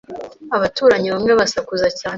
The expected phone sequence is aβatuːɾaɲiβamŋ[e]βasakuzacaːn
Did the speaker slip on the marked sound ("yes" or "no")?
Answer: no